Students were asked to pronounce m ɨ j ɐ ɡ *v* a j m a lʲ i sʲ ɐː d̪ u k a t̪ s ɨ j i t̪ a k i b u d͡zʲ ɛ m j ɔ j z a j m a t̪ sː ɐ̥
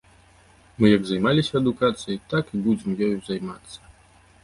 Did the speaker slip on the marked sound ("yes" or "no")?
yes